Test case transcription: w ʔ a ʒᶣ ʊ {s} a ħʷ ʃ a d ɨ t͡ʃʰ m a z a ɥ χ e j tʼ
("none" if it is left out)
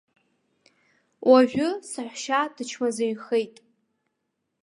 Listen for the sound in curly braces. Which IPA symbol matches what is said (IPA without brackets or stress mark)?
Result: s